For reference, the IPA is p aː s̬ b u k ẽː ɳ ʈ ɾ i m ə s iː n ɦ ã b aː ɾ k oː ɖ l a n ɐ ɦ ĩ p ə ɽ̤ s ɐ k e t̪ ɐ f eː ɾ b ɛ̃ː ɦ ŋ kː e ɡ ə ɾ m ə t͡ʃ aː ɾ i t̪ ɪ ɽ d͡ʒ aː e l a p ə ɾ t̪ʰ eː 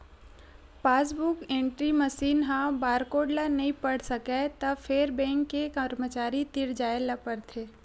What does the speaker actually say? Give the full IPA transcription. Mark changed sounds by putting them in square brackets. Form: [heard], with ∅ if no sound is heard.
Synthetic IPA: p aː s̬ b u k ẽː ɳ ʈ ɾ i m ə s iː n ɦ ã b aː ɾ k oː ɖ l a n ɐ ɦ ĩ p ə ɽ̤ s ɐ k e t̪ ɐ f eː ɾ b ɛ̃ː [∅] ŋ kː e [k] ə ɾ m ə t͡ʃ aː ɾ i t̪ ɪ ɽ d͡ʒ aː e l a p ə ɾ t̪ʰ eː